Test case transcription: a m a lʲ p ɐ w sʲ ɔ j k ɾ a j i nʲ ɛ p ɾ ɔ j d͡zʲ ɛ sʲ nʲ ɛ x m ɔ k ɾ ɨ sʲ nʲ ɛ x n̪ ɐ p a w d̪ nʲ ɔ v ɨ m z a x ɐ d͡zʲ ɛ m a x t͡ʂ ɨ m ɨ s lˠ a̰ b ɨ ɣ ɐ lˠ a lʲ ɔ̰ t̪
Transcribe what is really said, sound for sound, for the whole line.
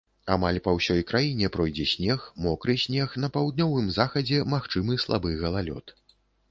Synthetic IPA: a m a lʲ p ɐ w sʲ ɔ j k ɾ a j i nʲ ɛ p ɾ ɔ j d͡zʲ ɛ sʲ nʲ ɛ x m ɔ k ɾ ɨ sʲ nʲ ɛ x n̪ ɐ p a w d̪ nʲ ɔ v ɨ m z a x ɐ d͡zʲ ɛ m a x t͡ʂ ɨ m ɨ s lˠ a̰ b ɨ ɣ ɐ lˠ a lʲ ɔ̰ t̪